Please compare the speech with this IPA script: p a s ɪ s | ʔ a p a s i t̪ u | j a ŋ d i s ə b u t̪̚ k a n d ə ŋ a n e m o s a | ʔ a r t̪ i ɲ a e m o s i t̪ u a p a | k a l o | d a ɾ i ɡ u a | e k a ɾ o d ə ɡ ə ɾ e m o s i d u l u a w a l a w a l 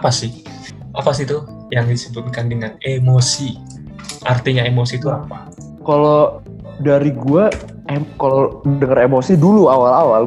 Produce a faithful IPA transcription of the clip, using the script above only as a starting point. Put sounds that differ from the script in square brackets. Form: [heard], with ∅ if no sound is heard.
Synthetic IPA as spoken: p a s ɪ [h] | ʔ a p a s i t̪ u | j a ŋ d i s ə b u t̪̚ k a n d ə ŋ a n e m o s [i] | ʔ a r t̪ i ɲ a e m o s i t̪ u a p a | k a l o | d a ɾ i ɡ u a | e k a [l] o d ə [ŋ] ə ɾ e m o s i d u l u a w a l a w a l